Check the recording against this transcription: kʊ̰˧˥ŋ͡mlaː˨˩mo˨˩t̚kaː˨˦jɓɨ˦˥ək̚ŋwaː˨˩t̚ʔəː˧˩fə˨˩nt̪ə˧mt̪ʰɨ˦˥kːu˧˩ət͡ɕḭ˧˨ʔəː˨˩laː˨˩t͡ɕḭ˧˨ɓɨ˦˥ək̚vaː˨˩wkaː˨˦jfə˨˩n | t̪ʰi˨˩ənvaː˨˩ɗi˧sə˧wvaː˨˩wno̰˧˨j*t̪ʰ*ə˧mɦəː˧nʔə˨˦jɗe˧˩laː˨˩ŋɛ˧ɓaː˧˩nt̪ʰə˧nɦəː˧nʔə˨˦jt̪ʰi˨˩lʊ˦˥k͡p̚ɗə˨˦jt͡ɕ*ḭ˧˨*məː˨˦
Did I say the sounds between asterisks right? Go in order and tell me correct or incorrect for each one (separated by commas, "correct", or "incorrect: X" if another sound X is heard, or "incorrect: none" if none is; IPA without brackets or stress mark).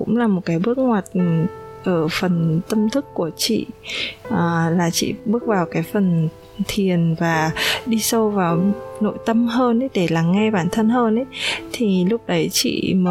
incorrect: t̪, correct